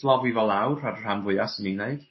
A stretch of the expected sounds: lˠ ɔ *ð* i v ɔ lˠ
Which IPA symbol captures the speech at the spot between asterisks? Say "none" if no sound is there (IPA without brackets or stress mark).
v